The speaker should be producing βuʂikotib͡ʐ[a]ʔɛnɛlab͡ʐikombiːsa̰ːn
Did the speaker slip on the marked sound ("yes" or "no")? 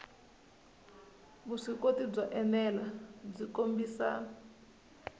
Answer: no